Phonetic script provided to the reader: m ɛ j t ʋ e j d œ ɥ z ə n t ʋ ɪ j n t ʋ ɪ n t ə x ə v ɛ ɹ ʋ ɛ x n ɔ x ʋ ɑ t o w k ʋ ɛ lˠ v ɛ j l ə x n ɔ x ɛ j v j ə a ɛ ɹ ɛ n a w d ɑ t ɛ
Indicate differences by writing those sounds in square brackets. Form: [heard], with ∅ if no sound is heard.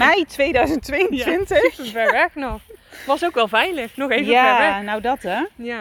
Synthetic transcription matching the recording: m ɛ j t ʋ e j d œ ɥ z ə n t ʋ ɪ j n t ʋ ɪ n t ə x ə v ɛ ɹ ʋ ɛ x n ɔ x ʋ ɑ [s] o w k ʋ ɛ lˠ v ɛ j l ə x n ɔ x [e] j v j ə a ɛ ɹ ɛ n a w d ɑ t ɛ